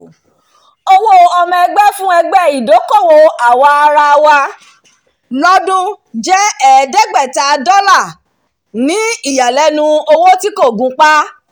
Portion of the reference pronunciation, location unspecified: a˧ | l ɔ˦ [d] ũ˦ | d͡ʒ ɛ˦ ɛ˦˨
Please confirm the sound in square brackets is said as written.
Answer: yes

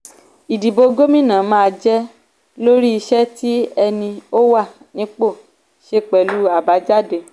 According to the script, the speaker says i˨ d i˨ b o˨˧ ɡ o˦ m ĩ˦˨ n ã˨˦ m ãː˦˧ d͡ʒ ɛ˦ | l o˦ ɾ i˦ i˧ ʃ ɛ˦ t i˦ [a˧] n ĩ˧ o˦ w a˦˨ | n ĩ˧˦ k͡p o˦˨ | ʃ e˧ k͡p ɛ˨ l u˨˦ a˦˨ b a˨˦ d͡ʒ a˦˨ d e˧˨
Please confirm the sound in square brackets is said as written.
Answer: no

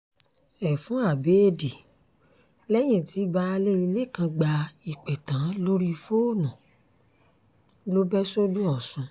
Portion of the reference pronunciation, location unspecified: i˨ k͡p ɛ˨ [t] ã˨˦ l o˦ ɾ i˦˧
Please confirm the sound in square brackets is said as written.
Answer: yes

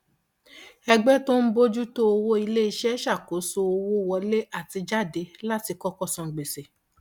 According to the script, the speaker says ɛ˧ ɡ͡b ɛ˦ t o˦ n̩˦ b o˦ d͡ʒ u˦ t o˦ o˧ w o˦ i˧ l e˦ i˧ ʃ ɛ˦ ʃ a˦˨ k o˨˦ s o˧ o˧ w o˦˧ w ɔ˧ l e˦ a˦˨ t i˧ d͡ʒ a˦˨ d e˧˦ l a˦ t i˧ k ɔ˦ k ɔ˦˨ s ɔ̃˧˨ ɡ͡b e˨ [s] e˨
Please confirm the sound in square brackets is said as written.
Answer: yes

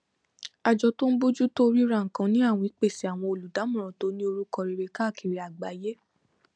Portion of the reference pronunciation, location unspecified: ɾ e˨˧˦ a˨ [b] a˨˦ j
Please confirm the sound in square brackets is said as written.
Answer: no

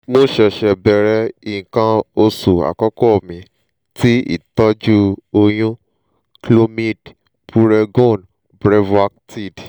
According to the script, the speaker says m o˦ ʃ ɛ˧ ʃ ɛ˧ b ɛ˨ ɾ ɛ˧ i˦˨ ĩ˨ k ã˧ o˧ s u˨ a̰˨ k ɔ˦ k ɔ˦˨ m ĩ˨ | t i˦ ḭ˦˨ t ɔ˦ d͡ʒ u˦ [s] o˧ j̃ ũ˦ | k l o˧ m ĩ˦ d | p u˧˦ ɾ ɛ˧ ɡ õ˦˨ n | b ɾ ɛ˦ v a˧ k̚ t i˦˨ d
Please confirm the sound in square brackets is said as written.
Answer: no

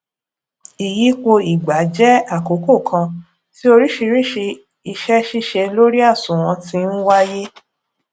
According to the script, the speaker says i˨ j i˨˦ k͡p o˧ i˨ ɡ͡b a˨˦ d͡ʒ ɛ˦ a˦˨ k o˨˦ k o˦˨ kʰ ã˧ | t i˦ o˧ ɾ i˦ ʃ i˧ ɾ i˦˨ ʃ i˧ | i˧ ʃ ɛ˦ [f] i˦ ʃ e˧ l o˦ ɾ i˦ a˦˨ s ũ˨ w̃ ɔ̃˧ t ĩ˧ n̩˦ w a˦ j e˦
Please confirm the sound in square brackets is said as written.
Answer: no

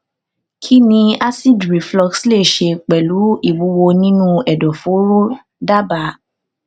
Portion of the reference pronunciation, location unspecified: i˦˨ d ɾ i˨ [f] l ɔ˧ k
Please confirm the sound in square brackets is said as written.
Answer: yes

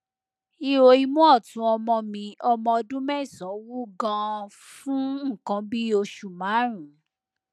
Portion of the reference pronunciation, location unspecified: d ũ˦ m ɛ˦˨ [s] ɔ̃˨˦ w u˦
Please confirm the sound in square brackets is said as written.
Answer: yes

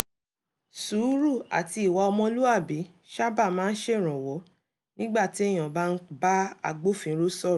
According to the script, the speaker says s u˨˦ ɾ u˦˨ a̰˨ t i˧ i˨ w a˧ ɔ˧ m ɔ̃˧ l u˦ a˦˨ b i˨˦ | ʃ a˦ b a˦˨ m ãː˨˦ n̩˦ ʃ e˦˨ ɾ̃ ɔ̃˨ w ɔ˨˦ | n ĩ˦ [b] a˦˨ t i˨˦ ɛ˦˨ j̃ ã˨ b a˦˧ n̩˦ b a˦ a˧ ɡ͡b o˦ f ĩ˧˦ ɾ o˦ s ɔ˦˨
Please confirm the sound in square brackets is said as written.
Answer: no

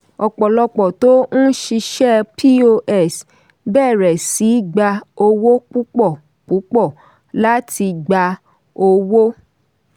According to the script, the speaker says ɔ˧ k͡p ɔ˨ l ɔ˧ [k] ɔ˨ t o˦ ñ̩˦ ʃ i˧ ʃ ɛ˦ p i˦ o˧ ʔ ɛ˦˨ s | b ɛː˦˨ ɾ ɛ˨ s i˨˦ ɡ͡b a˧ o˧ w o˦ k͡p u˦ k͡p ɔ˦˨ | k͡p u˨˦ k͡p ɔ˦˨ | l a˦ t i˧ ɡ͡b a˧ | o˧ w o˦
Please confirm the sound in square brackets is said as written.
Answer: no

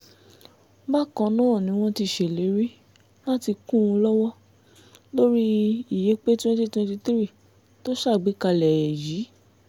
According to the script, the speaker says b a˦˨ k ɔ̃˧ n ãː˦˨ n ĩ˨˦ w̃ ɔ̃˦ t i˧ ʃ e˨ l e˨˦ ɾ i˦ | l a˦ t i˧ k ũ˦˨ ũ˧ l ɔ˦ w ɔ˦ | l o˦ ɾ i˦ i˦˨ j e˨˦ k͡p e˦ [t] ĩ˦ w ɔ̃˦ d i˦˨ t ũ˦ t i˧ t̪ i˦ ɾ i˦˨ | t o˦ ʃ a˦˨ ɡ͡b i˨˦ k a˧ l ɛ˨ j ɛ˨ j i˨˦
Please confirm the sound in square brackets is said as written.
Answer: yes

